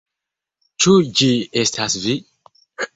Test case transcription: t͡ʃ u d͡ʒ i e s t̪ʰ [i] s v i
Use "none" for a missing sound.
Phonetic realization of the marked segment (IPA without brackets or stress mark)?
a